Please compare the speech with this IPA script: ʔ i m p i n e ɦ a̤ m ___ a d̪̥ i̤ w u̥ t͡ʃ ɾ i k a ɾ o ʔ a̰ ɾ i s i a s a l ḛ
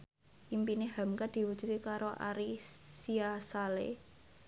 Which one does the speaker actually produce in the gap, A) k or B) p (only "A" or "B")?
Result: A